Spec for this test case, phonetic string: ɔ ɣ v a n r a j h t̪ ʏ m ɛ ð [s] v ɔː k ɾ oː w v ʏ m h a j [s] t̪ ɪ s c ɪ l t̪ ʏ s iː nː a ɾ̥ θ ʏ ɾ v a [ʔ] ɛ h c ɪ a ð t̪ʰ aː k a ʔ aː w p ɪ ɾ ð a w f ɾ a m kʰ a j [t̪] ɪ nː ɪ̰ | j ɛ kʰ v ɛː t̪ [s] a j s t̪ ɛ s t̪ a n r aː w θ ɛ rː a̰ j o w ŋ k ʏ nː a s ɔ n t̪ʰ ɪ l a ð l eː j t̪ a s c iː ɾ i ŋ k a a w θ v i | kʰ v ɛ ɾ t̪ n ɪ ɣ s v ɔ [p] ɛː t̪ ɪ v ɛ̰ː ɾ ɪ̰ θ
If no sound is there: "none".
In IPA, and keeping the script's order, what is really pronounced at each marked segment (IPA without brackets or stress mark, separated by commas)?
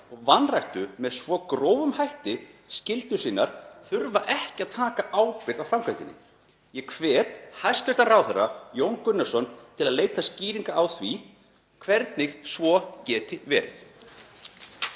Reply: s, h, ʔ, t̪, h, c